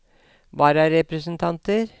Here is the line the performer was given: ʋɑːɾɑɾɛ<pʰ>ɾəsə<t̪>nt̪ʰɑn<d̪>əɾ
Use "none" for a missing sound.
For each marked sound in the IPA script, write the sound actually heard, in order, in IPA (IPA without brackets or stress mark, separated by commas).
p, none, t̪